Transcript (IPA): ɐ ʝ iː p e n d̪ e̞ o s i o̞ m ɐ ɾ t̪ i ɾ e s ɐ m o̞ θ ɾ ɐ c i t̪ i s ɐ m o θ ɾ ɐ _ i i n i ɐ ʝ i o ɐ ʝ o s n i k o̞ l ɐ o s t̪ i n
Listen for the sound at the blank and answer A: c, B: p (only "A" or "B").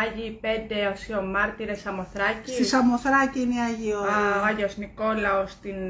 A